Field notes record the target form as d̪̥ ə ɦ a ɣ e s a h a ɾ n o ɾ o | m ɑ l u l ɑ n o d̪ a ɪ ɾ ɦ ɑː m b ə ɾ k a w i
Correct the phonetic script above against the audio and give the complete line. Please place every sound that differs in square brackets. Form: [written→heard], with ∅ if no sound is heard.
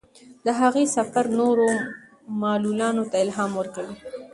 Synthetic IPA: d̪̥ ə ɦ a ɣ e s a [h→f] a ɾ n o ɾ o | m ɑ l u l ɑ n o [d̪→t̪] a ɪ [ɾ→l] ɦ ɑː m [b→w] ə ɾ k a w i